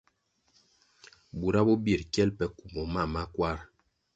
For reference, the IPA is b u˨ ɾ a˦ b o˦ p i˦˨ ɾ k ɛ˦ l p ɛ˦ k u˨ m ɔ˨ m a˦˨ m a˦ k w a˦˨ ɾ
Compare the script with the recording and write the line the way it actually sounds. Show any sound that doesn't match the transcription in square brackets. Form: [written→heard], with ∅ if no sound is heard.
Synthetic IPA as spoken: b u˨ ɾ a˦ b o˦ [p→b] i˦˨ ɾ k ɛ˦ l p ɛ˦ k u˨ m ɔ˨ m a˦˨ m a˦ k w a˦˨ ɾ

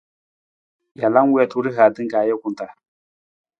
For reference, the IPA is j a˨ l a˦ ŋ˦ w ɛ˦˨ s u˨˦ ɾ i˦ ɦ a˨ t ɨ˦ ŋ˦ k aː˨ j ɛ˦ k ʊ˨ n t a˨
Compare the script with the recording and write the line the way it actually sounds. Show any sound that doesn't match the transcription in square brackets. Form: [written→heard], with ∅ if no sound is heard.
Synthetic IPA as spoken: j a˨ l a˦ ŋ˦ w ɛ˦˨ [s→t] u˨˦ ɾ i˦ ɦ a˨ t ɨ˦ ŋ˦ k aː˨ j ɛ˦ k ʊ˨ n t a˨

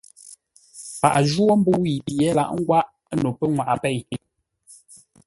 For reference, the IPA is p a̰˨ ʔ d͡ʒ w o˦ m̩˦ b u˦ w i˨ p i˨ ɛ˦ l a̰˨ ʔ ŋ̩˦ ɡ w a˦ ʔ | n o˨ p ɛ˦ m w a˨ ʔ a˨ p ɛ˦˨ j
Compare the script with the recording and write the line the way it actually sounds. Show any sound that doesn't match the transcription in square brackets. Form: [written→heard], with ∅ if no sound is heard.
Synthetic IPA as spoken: p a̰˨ ʔ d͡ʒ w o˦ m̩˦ b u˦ w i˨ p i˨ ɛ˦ l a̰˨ ʔ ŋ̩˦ ɡ w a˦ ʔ | n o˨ p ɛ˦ [m→ŋ] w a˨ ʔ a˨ p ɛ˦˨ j

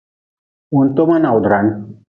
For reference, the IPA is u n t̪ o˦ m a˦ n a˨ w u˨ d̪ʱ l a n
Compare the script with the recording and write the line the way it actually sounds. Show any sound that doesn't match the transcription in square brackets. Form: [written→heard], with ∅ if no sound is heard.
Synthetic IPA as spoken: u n t̪ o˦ m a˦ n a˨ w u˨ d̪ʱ [l→ɾ] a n

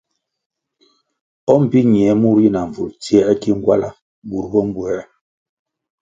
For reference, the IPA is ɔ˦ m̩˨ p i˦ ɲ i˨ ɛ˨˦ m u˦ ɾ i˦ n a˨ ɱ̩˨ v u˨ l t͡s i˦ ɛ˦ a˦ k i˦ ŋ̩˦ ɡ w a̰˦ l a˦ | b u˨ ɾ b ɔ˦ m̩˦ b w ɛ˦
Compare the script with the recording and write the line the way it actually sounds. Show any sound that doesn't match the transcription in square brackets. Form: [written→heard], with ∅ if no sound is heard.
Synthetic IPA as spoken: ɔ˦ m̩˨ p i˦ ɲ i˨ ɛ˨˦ m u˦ ɾ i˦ n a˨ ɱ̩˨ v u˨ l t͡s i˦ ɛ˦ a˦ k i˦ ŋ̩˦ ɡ w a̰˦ l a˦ | b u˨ ɾ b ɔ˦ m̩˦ b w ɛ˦

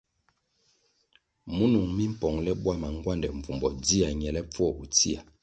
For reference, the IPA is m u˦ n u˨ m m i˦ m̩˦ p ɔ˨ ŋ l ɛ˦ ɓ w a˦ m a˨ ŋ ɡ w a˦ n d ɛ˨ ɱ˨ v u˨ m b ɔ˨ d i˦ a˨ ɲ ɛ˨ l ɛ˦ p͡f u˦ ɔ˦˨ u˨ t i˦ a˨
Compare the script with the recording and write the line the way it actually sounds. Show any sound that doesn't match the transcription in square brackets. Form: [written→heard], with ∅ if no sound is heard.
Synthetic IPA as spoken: m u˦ n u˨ [m→ŋ] m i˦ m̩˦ p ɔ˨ ŋ l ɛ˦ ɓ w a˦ m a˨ ŋ ɡ w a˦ n d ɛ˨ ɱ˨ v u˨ m b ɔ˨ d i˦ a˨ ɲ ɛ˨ l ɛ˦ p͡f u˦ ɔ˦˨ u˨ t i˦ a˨

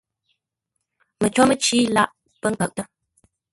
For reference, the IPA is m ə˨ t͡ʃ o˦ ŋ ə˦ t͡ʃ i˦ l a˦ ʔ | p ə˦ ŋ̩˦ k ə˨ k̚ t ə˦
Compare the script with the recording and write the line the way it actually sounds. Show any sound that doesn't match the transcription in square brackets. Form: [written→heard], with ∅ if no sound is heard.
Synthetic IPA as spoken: m ə˨ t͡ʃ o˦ [ŋ→m] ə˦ t͡ʃ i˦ l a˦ ʔ | p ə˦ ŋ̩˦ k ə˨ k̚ t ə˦

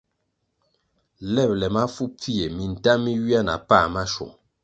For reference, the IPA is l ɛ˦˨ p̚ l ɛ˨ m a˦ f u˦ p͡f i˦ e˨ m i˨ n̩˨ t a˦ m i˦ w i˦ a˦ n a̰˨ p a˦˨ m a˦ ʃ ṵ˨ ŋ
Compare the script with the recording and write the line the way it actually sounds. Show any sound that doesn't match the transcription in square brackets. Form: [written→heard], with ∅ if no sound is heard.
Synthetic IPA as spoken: l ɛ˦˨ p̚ l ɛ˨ m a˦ f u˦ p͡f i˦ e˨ m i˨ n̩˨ t a˦ m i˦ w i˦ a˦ n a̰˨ p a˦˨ m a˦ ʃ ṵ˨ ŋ

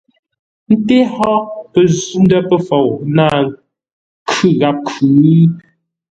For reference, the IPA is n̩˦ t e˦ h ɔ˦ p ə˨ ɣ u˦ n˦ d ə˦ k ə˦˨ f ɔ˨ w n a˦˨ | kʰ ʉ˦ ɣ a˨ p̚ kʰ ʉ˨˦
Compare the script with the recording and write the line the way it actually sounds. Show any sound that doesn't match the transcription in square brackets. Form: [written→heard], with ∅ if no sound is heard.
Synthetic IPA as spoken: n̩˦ t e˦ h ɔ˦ p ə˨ [ɣ→z] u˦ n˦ d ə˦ [k→p] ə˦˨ f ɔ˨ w n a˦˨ | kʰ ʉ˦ ɣ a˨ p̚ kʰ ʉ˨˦

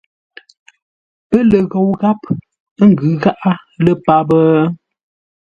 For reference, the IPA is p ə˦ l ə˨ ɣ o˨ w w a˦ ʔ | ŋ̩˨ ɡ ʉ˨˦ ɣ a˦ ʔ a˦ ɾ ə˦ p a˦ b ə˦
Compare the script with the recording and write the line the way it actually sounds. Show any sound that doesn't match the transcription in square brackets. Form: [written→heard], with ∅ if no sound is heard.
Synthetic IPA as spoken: p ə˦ l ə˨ ɣ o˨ w [w→ɣ] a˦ [ʔ→p] | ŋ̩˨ ɡ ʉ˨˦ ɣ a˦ ʔ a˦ [ɾ→l] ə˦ p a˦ b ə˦

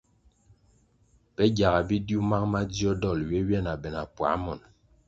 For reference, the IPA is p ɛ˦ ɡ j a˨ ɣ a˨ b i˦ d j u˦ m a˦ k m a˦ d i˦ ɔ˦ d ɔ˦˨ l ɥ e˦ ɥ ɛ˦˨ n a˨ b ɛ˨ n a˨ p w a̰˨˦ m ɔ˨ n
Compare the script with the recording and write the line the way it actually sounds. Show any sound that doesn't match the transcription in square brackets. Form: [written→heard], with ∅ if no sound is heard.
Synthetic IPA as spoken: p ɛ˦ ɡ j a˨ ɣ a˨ b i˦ d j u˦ m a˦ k m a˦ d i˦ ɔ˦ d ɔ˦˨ l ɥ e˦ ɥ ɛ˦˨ n a˨ b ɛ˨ n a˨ p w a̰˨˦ m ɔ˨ n

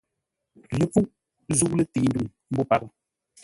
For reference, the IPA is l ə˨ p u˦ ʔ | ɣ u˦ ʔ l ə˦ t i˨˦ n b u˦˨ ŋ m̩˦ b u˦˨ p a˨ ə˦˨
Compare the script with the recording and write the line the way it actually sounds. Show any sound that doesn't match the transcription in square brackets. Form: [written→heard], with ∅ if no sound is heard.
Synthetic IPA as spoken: l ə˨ p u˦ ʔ | [ɣ→z] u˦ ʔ l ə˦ t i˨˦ n [b→d] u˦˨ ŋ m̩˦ b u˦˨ p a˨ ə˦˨

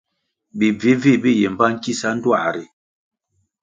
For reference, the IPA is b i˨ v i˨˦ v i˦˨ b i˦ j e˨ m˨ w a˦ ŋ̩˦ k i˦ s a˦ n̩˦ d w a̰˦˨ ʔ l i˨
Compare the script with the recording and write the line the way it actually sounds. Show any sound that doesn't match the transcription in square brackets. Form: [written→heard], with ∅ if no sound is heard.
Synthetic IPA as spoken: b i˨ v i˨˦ v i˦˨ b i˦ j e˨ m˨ [w→b] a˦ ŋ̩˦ k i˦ s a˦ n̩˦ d w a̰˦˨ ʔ [l→ɾ] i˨

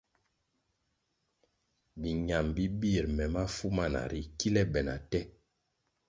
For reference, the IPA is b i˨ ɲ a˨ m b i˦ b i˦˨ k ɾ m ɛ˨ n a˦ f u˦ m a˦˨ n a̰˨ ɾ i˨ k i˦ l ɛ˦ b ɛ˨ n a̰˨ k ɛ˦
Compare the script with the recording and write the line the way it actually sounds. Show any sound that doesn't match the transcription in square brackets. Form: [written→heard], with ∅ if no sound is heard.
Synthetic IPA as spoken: b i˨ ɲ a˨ m b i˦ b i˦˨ [k→∅] ɾ m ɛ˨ [n→m] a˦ f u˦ m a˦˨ n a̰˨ ɾ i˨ k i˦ l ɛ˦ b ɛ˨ n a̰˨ [k→t] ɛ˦

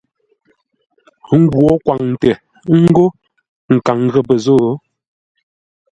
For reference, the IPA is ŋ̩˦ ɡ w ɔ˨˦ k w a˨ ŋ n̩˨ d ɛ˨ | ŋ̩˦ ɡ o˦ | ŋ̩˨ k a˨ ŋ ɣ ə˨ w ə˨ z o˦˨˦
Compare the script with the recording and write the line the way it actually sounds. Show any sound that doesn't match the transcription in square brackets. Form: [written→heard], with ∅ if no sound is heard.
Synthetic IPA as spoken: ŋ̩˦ ɡ w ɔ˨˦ k w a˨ ŋ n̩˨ [d→t] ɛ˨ | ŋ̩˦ ɡ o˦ | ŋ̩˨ k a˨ ŋ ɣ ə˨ [w→b] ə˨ z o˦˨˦

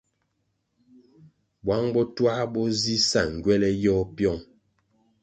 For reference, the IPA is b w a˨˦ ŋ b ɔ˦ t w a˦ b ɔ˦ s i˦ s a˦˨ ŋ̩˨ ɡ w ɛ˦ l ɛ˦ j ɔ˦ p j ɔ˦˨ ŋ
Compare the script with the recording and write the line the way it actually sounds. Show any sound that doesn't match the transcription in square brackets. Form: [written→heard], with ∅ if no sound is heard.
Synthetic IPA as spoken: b w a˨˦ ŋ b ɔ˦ t w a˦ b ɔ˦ [s→z] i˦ s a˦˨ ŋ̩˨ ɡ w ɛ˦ l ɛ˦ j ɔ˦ p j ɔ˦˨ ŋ

